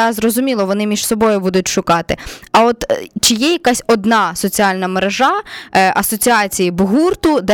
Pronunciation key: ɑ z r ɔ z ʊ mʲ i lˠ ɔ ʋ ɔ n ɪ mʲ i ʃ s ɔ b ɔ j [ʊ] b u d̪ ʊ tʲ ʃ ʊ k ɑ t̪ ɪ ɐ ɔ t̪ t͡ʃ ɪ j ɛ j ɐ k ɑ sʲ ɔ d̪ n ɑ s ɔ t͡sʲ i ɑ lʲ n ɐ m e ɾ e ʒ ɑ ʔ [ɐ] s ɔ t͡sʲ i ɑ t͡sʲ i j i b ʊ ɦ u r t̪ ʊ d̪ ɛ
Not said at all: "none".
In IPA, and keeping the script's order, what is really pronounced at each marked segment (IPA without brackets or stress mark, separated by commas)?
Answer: ʊ, ɐ